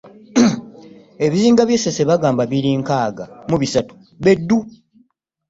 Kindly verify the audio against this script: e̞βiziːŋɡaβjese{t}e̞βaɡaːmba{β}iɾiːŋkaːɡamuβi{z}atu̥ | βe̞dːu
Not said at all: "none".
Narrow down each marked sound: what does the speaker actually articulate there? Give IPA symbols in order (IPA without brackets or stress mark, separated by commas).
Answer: s, β, s